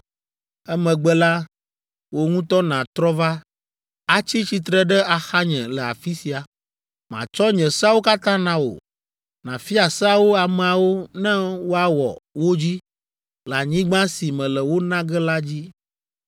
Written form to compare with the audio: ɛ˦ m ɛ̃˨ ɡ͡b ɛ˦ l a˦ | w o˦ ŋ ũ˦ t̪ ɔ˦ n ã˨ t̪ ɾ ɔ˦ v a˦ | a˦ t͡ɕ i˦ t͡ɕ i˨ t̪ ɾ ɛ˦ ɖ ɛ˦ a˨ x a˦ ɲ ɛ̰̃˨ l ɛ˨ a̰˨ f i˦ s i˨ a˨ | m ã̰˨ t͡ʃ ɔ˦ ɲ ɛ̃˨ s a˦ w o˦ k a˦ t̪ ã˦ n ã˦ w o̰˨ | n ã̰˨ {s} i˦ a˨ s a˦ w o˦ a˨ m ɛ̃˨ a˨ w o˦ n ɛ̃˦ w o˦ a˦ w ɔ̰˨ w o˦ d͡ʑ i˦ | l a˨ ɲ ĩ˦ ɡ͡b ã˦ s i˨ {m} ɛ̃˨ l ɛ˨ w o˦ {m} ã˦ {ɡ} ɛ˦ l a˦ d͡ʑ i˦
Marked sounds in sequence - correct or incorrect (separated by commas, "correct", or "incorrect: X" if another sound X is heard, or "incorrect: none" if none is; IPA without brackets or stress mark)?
incorrect: f, correct, incorrect: n, correct